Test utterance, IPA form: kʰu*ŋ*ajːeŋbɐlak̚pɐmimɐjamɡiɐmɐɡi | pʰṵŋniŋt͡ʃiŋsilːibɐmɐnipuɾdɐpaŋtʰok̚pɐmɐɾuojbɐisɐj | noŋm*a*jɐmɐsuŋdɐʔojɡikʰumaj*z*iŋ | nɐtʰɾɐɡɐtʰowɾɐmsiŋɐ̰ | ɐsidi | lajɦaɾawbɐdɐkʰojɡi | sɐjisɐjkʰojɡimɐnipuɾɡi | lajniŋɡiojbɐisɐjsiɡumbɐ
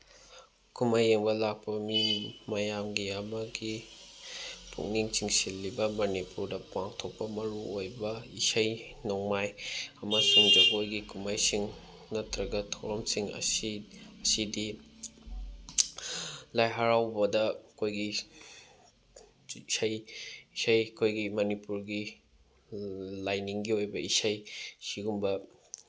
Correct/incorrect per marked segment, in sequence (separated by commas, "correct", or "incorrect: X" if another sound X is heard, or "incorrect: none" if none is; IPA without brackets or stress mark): incorrect: m, correct, incorrect: s